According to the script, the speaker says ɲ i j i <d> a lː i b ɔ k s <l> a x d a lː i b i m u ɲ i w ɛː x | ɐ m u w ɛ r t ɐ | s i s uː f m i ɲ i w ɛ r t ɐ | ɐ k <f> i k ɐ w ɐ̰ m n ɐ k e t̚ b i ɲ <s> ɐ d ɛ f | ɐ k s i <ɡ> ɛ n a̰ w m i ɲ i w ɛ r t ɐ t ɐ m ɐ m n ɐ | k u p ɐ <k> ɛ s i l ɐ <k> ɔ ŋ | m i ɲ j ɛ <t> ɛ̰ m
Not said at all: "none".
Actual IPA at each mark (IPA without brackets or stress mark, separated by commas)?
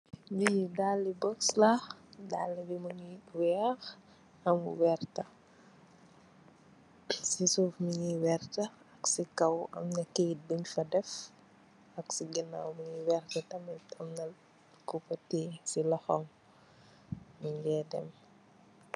d, l, s, f, ɡ, t, x, d